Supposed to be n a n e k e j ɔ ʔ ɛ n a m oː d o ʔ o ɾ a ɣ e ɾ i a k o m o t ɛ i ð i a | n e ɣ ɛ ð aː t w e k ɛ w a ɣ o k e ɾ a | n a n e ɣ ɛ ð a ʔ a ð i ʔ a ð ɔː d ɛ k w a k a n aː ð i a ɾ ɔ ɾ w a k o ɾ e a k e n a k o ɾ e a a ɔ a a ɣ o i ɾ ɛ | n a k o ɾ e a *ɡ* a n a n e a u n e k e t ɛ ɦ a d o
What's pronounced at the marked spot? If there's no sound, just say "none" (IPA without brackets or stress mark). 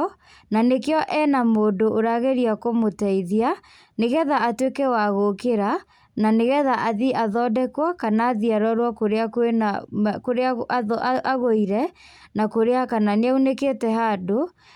k